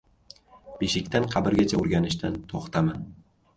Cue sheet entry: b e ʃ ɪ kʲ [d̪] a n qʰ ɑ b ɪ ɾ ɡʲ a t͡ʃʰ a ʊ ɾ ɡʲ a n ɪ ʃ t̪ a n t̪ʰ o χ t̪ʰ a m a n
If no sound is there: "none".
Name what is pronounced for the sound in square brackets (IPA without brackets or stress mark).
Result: t̪